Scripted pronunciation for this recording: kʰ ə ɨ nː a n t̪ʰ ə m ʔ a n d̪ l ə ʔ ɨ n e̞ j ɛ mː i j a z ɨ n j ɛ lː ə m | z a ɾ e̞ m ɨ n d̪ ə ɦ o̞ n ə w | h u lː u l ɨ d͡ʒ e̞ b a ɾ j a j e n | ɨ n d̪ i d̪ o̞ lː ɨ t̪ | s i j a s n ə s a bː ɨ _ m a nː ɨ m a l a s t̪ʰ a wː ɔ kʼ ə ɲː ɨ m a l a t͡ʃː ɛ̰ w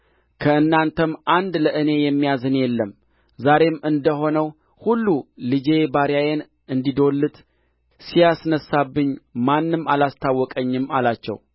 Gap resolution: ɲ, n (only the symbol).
ɲ